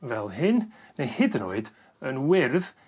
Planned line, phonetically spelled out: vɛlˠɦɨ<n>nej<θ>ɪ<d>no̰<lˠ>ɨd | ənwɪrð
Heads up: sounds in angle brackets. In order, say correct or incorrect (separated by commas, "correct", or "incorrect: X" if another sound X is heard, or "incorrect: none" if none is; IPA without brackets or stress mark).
correct, incorrect: h, correct, incorrect: none